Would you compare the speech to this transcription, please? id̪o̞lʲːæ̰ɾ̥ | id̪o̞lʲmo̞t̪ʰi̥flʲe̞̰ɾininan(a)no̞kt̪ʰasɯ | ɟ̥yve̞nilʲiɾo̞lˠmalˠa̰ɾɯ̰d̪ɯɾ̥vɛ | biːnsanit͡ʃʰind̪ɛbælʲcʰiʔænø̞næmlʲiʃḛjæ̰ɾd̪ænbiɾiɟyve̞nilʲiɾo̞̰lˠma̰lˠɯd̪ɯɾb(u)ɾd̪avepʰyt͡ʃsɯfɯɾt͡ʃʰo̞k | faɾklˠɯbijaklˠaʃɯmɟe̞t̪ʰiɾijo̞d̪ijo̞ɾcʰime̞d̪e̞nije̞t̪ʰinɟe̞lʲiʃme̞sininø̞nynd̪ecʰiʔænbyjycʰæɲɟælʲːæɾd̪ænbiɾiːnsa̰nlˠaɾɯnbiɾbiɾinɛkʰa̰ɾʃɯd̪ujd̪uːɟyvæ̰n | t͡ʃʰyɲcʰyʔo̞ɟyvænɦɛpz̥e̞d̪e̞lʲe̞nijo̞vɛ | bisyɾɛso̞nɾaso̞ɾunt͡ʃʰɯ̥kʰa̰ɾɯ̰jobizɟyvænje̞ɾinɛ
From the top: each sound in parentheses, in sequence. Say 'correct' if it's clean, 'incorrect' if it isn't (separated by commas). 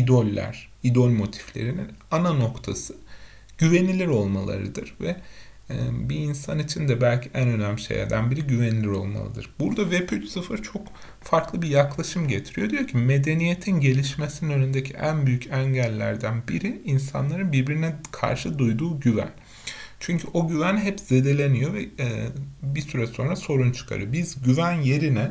correct, correct